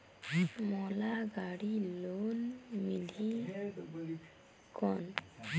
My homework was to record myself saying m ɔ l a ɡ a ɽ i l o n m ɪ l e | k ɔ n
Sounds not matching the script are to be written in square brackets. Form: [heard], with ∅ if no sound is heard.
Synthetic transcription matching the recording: m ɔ l a ɡ a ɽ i l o n m [i] l [i] | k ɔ n